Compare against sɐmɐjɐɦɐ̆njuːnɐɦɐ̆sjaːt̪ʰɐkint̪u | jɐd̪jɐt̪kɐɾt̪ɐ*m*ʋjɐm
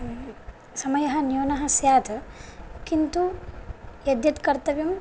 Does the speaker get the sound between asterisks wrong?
yes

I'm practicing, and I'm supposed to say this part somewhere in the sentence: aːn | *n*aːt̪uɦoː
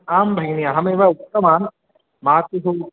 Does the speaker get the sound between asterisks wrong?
yes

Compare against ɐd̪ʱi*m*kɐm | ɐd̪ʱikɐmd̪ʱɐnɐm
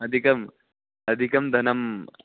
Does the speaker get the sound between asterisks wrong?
yes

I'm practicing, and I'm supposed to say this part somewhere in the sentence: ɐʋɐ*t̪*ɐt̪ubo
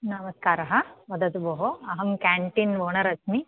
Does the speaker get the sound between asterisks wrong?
yes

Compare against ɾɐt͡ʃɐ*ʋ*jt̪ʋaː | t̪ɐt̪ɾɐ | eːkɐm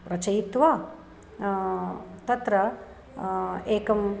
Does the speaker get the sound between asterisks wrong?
yes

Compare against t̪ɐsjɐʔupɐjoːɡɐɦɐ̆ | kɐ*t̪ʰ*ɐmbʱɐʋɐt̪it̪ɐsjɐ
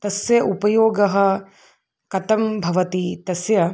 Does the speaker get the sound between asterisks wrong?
yes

